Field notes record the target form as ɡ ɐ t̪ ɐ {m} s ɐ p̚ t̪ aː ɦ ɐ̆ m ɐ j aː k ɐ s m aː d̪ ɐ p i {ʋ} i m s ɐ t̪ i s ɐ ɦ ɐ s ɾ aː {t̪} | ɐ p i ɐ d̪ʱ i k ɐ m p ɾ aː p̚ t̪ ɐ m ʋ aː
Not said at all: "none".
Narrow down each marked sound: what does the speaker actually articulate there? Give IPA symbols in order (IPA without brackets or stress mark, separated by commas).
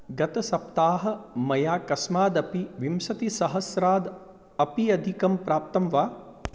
none, ʋ, d̪